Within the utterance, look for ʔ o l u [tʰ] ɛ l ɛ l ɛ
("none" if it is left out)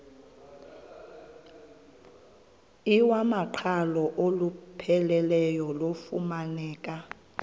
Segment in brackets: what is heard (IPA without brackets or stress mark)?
pʰ